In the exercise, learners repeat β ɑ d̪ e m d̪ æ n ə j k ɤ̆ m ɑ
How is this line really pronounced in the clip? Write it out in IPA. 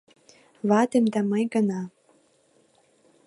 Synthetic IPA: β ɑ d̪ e m d̪ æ m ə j ɡ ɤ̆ n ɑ